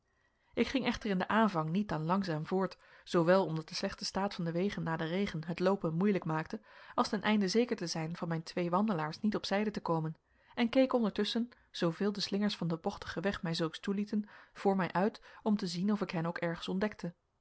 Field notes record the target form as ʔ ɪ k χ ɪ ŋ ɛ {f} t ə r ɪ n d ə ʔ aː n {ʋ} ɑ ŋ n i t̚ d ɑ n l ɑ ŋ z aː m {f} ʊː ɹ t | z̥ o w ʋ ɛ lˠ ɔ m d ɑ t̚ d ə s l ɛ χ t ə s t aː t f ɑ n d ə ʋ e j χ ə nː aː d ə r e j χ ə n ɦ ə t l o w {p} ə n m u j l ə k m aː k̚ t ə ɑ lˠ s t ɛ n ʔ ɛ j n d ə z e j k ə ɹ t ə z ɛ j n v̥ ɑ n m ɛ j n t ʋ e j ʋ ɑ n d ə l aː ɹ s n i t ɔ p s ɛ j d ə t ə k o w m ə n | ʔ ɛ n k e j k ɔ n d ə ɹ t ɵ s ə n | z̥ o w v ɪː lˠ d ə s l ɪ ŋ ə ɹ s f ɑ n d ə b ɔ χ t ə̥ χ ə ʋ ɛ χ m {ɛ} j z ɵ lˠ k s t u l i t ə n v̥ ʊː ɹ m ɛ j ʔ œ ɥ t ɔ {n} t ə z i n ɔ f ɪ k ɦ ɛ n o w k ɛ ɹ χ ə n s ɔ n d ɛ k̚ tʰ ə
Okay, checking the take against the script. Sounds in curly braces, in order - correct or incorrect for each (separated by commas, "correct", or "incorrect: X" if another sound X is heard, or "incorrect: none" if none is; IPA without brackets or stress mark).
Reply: incorrect: χ, incorrect: v, incorrect: v, correct, correct, incorrect: m